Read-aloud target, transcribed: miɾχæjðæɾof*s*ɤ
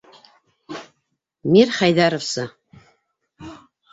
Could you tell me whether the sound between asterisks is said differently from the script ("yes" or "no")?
no